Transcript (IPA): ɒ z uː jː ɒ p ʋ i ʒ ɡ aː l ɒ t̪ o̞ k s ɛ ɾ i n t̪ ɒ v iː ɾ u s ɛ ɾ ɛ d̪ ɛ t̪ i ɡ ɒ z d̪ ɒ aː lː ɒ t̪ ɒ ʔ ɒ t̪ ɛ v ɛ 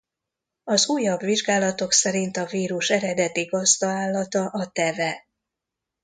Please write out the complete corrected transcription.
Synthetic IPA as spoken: ɒ z uː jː ɒ b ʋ i ʒ ɡ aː l ɒ t̪ o̞ k s ɛ ɾ i n t̪ ɒ v iː ɾ u ʃ ɛ ɾ ɛ d̪ ɛ t̪ i ɡ ɒ z d̪ ɒ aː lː ɒ t̪ ɒ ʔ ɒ t̪ ɛ v ɛ